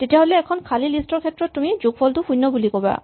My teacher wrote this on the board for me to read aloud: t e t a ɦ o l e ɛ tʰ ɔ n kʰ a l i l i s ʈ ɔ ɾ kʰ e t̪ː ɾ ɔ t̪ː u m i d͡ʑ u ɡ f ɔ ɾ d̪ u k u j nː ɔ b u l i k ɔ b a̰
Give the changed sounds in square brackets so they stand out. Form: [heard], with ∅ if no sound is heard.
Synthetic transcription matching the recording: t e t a ɦ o l e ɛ [kʰ] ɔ n kʰ a l i l i s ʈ ɔ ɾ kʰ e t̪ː ɾ ɔ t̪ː u m i d͡ʑ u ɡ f ɔ [l] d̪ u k u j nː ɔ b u l i k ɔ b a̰